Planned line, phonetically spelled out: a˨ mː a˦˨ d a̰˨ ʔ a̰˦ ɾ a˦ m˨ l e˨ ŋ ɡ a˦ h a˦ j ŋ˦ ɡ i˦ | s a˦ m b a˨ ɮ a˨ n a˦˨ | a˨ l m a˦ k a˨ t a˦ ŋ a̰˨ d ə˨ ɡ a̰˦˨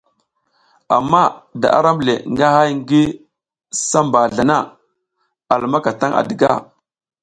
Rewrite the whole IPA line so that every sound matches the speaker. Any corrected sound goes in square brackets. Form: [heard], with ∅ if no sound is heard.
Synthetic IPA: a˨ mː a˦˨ d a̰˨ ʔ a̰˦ ɾ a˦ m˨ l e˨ ŋ ɡ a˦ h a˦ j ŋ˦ ɡ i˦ | s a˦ m b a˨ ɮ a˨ n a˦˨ | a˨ l m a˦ k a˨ t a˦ ŋ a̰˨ d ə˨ ɡ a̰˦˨